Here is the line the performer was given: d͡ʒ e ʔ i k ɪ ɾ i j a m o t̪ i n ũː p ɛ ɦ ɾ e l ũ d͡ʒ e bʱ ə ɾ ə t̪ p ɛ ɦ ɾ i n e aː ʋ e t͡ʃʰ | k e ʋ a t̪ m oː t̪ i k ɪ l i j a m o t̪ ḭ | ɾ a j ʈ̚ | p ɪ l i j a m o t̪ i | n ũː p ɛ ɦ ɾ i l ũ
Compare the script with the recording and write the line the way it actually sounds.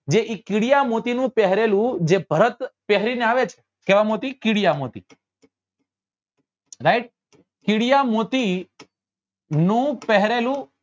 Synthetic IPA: d͡ʒ e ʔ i k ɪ ɽ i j a m o t̪ i n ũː p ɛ ɦ ɾ e l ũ d͡ʒ e bʱ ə ɾ ə t̪ p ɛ ɦ ɾ i n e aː ʋ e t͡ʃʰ | k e ʋ a m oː t̪ i k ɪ ɽ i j a m o t̪ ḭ | ɾ a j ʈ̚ | k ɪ ɽ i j a m o t̪ i | n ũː p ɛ ɦ ɾ e l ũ